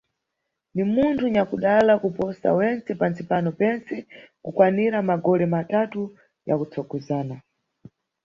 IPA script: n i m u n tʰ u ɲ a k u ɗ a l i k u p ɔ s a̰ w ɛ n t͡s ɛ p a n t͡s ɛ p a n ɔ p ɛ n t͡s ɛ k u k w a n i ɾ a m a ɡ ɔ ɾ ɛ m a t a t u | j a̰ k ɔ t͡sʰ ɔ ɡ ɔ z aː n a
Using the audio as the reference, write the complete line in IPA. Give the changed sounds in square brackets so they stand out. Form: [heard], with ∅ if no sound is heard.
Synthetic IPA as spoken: n i m u n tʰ u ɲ a k u ɗ a l [a] k u p ɔ s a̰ w ɛ n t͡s ɛ p a n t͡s [i] p a n ɔ p ɛ n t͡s ɛ k u k w a n i ɾ a m a ɡ ɔ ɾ ɛ m a t a t u | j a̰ k [u] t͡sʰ ɔ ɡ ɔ z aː n a